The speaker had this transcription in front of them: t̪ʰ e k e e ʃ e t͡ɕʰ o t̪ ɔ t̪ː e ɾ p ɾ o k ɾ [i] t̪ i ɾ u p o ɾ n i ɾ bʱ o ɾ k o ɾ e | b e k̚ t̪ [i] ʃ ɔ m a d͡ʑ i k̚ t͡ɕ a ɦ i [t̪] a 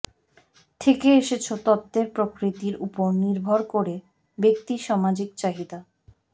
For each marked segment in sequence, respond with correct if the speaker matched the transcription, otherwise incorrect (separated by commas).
correct, correct, incorrect